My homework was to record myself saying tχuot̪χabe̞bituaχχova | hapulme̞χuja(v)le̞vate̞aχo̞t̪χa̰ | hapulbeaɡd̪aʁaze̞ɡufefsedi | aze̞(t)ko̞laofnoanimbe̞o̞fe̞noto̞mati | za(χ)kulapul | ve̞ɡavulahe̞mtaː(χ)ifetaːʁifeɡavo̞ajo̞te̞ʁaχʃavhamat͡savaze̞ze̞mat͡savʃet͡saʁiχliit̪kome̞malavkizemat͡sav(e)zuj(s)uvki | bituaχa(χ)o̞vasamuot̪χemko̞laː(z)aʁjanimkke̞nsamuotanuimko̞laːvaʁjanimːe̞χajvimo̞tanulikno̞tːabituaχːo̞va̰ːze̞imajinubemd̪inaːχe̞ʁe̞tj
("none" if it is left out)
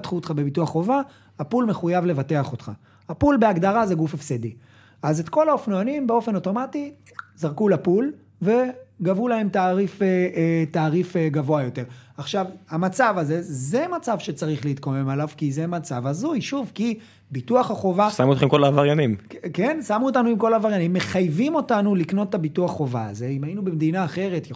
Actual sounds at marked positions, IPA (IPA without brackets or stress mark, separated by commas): v, t, ʁ, ʁ, a, ʃ, χ, v